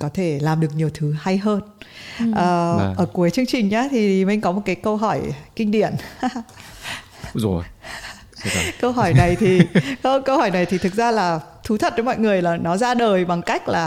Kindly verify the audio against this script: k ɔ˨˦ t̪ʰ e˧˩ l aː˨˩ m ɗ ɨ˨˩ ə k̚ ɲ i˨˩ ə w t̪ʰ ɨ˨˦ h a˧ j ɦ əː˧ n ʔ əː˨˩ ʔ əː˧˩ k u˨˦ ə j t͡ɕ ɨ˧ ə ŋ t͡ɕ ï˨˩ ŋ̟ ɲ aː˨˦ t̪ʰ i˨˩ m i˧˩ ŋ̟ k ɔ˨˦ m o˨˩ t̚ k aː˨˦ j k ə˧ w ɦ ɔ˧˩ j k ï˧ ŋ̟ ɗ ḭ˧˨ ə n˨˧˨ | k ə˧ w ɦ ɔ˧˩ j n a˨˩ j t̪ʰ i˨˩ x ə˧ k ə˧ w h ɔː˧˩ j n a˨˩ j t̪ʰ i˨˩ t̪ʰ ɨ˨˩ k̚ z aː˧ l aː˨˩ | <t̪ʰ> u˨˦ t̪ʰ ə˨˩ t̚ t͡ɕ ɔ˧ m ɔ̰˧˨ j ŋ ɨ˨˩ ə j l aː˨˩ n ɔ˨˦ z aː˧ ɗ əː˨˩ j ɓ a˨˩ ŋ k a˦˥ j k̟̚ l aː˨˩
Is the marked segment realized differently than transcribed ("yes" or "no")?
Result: no